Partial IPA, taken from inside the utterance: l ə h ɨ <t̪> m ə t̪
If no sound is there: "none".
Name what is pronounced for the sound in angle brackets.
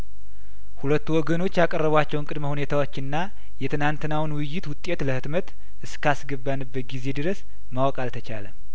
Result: t̪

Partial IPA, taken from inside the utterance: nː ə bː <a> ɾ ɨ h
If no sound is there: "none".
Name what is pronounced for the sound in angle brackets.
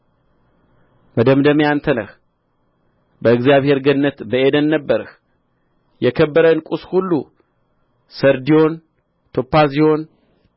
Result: ə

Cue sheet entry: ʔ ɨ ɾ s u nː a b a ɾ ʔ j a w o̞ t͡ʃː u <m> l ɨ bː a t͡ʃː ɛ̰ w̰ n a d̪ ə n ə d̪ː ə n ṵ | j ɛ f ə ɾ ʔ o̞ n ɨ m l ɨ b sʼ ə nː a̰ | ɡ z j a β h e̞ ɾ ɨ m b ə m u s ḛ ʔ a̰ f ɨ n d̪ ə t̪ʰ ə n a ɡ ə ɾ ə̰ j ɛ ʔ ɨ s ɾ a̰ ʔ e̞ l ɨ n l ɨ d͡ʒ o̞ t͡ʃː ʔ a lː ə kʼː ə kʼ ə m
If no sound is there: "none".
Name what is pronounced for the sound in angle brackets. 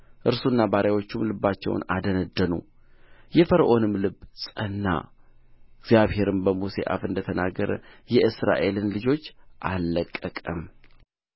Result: m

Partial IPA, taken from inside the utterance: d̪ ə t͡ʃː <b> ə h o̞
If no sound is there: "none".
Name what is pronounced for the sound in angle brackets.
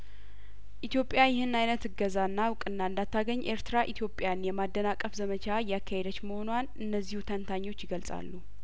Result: m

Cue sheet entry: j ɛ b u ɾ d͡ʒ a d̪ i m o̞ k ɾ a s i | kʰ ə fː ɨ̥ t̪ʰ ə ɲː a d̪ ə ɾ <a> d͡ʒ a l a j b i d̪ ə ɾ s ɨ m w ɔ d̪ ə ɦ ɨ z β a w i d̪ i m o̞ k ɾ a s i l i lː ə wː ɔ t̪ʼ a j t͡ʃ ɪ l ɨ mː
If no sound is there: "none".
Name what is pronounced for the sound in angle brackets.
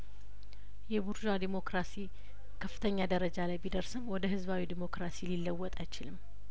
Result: ə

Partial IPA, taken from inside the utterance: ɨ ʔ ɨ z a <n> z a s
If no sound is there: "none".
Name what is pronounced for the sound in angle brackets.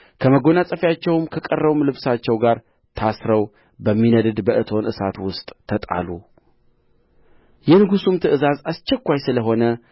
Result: none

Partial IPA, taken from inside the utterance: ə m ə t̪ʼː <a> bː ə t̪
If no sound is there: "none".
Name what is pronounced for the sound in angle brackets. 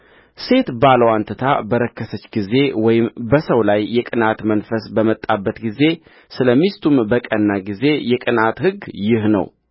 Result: a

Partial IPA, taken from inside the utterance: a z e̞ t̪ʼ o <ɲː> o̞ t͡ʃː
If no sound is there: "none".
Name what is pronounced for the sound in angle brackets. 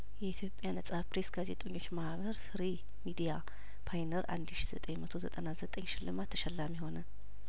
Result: ɲː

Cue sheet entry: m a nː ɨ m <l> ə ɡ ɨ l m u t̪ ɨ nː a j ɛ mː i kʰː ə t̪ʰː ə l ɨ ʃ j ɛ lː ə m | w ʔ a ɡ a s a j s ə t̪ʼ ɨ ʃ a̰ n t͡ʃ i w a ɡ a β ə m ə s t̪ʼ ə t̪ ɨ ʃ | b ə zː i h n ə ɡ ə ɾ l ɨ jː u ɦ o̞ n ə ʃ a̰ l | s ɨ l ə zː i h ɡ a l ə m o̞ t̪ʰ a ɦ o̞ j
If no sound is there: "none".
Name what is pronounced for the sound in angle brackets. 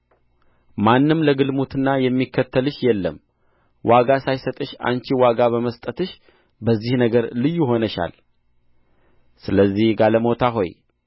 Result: l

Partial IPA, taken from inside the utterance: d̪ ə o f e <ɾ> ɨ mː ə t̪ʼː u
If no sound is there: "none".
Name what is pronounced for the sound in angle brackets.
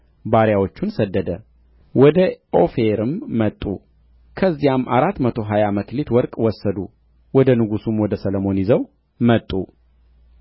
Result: ɾ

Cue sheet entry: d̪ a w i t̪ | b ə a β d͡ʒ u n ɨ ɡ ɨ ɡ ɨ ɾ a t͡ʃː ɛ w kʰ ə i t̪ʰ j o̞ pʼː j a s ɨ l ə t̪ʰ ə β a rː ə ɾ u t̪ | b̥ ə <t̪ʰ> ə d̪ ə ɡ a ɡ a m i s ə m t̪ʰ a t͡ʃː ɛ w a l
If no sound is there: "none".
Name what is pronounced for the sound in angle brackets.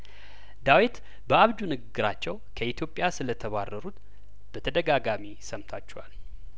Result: t̪ʰ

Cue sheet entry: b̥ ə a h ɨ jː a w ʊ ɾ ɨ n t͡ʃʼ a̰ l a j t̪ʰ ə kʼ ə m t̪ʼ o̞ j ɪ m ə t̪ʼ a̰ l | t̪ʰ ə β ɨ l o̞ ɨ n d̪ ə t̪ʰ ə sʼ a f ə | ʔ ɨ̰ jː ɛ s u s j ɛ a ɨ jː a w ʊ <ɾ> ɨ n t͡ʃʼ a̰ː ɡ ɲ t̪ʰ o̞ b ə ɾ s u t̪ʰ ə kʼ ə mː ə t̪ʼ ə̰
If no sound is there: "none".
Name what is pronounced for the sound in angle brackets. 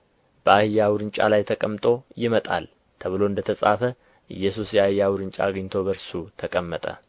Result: ɾ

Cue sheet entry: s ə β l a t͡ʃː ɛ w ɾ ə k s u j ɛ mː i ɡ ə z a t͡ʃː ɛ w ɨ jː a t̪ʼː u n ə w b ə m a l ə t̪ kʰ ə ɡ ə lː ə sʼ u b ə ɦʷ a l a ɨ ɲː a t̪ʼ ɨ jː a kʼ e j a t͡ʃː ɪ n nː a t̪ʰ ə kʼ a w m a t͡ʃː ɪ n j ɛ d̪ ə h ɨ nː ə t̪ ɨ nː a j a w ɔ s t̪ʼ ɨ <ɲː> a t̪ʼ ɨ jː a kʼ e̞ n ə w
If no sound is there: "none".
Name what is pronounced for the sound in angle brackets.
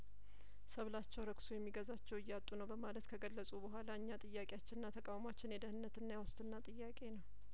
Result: nː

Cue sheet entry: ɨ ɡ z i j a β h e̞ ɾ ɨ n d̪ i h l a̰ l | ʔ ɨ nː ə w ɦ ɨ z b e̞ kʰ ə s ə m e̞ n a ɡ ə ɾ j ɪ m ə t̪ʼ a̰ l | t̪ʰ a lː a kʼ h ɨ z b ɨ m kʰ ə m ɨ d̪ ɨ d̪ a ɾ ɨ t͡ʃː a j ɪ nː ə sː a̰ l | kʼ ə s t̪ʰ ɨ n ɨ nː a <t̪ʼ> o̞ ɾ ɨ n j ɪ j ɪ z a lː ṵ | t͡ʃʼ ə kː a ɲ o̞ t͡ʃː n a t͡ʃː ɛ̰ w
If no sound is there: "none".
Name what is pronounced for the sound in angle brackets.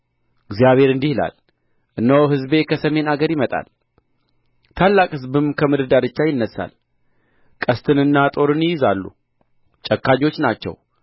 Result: t̪ʼ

